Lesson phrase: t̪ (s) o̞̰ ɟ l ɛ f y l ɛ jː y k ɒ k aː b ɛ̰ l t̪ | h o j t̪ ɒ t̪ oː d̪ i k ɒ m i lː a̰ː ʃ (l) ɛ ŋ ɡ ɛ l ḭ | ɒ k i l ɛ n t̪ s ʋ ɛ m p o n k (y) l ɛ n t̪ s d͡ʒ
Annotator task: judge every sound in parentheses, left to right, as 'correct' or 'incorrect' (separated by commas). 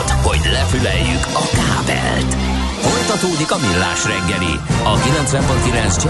incorrect, incorrect, incorrect